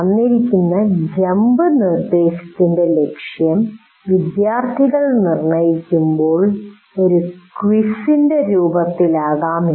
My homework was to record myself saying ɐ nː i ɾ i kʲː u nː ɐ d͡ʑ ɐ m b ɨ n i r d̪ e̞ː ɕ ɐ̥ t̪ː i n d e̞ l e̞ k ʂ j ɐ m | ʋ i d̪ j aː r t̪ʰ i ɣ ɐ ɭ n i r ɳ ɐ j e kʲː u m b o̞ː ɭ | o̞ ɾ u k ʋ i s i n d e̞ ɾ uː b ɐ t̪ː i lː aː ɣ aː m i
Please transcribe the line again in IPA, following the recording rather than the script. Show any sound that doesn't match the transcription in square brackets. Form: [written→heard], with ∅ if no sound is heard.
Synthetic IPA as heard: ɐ nː i ɾ i kʲː u nː ɐ d͡ʑ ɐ m b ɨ n i r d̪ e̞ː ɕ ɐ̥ t̪ː i n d e̞ l e̞ k ʂ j ɐ m | ʋ i d̪ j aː r t̪ʰ i ɣ ɐ ɭ n i r ɳ ɐ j [e→i] kʲː u m b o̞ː ɭ | o̞ ɾ u k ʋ i s i n d e̞ ɾ uː b ɐ t̪ː i [lː→l] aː ɣ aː m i